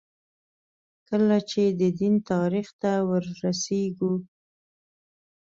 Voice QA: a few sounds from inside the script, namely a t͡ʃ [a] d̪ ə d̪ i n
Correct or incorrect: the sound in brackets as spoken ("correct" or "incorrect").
incorrect